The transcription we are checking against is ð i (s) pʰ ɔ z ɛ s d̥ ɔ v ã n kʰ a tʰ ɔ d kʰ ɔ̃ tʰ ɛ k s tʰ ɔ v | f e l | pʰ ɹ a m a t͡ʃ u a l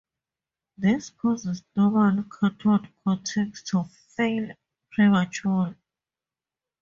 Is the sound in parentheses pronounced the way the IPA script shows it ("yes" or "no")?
yes